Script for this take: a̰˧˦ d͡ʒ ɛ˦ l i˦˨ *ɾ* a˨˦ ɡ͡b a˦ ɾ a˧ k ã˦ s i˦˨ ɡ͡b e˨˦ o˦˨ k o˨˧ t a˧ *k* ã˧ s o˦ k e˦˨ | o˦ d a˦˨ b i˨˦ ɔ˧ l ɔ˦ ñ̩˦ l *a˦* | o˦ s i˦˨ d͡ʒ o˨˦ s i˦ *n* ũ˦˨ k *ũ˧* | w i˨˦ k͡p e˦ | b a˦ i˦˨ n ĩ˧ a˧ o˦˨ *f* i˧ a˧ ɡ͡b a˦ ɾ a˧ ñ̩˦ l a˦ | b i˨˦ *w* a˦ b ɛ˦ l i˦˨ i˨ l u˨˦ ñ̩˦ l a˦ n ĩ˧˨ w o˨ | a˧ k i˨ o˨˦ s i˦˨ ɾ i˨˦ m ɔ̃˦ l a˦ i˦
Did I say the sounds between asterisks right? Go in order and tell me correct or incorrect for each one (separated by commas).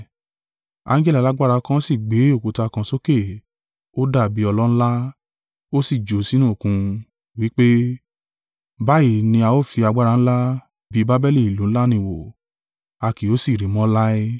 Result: incorrect, correct, correct, correct, correct, correct, incorrect